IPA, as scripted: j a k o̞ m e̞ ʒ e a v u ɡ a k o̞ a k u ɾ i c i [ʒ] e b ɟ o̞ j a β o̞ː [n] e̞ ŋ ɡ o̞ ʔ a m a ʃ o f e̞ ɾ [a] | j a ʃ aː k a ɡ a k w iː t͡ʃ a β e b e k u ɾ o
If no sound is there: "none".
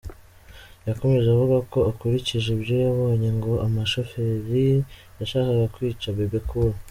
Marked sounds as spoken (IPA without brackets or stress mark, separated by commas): ʒ, ɲ, i